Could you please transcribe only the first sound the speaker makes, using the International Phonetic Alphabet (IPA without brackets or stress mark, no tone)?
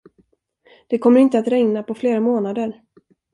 d̪̥